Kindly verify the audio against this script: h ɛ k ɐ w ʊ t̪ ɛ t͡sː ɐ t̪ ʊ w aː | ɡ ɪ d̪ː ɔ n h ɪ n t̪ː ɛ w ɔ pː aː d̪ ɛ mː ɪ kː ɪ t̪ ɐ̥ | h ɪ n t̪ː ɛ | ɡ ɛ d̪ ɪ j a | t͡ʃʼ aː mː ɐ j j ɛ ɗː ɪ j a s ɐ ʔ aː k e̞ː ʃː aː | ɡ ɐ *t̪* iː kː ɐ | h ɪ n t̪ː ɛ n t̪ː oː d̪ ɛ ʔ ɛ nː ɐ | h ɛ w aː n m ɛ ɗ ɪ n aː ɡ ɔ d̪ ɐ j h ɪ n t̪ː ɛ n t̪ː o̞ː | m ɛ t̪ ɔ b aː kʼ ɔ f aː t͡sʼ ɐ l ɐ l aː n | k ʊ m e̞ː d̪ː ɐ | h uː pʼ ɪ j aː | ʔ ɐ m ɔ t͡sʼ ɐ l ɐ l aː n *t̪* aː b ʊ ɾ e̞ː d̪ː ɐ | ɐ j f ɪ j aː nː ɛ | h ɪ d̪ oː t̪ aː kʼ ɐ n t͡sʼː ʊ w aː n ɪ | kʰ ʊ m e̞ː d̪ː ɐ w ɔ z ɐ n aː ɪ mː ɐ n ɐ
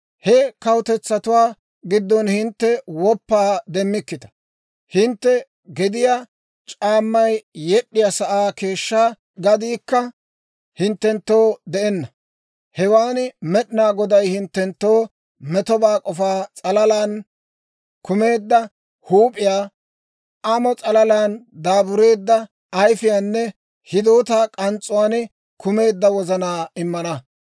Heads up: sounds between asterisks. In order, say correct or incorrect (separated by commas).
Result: incorrect, incorrect